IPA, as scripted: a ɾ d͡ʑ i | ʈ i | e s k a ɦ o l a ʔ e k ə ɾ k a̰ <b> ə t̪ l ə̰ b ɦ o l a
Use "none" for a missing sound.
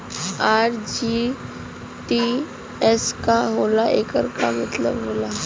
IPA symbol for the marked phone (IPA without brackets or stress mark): m